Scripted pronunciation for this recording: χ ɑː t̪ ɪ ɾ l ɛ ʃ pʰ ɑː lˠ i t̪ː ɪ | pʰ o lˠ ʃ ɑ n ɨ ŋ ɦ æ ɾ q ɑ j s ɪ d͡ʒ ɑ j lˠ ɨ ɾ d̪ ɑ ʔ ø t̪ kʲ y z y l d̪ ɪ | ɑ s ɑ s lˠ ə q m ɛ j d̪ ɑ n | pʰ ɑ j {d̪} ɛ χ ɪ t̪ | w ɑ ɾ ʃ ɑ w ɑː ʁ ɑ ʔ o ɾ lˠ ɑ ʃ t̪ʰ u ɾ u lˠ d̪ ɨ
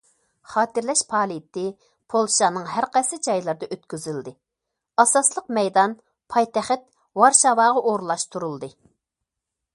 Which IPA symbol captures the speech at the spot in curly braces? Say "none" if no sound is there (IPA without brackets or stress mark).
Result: t̪